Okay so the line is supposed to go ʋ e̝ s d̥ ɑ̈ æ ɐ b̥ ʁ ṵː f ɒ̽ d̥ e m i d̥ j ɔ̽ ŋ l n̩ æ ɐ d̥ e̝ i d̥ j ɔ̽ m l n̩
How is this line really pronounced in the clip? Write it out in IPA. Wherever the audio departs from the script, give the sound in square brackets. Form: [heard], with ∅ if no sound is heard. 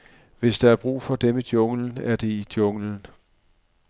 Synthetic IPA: ʋ e̝ s d̥ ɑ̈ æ ɐ b̥ ʁ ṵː f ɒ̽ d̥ e m i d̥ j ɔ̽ ŋ l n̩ æ ɐ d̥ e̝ i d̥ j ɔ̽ [ŋ] l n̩